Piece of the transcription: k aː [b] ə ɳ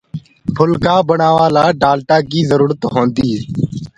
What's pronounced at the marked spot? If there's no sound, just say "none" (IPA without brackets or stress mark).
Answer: b